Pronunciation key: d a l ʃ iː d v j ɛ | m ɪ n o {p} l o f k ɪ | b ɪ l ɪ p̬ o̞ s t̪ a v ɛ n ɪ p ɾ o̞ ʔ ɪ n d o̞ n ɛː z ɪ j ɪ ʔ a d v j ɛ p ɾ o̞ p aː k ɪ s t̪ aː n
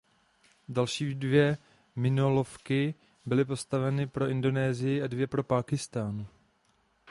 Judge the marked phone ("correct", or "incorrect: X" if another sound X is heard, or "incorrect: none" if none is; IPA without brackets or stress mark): incorrect: none